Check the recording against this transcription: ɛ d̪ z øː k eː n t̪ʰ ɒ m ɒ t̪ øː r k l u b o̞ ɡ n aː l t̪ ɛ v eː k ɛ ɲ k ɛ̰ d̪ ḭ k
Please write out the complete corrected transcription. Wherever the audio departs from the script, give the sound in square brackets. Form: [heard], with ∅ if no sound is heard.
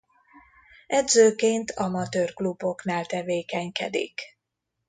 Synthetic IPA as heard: ɛ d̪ z øː k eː n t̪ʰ ɒ m ɒ t̪ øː r k l u b o̞ [k] n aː l t̪ ɛ v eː k ɛ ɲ k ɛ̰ d̪ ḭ k